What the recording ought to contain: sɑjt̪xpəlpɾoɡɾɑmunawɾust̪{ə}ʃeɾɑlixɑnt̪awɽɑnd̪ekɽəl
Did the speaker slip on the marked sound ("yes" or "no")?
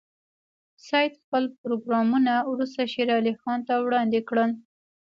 yes